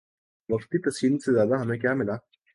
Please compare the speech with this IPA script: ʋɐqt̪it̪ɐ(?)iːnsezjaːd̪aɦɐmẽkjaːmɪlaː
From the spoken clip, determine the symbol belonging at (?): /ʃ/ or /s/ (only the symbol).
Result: s